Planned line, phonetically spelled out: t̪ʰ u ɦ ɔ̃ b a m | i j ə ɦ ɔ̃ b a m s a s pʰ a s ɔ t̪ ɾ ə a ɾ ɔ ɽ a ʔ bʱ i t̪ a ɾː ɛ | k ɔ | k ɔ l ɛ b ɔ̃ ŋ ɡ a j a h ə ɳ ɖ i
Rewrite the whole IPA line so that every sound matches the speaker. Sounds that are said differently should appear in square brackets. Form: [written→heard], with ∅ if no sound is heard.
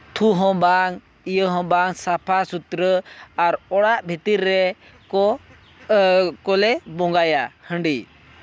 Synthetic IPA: t̪ʰ u ɦ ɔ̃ b a [m→ŋ] | i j ə ɦ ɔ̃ b a [m→ŋ] s a [s→∅] pʰ a s [ɔ→u] t̪ ɾ ə a ɾ ɔ ɽ a ʔ bʱ i t̪ [a→i] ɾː ɛ | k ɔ | k ɔ l ɛ b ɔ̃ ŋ ɡ a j a h ə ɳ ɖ i

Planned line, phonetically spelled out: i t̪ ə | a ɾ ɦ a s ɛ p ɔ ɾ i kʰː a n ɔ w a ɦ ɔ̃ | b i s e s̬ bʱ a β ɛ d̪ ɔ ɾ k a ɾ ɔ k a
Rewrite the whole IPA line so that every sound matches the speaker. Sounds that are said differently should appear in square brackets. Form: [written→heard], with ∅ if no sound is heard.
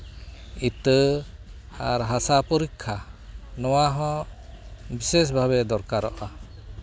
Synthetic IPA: i t̪ ə | a ɾ ɦ a s [ɛ→a] p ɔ ɾ i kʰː a n ɔ w a ɦ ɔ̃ | b i s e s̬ bʱ a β ɛ d̪ ɔ ɾ k a ɾ ɔ [k→ʔ] a

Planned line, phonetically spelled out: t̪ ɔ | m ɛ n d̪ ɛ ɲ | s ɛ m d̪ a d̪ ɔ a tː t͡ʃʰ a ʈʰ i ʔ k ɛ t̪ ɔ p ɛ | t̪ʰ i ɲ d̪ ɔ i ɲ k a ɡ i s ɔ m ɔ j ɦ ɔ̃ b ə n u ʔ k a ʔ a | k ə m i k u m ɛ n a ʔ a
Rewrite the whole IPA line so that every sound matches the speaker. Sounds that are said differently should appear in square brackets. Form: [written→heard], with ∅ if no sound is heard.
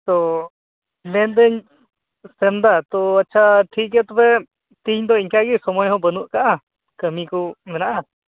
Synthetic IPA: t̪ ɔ | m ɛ n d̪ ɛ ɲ | s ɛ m d̪ a [d̪→t̪] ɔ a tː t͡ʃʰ a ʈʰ i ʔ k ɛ t̪ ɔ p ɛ | [t̪ʰ→t̪] i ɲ d̪ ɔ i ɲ k a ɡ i s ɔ m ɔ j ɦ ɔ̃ b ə n u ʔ k a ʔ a | k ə m i k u m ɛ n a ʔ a

